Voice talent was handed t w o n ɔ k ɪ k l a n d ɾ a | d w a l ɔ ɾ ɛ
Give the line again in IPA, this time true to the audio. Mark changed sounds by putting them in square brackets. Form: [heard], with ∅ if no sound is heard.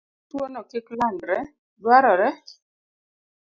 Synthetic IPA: t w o n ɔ k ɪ k l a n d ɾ [ɛ] | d w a [ɾ] ɔ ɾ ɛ